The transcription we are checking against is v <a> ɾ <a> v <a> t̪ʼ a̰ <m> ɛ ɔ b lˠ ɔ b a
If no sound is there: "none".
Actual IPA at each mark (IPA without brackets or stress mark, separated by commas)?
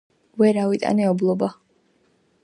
ɛ, a, i, n